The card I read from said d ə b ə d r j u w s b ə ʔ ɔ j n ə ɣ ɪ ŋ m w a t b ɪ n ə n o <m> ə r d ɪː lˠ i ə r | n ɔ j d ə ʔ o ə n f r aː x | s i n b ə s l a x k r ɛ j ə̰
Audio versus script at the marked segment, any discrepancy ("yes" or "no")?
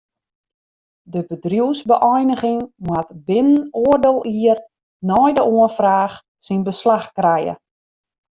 yes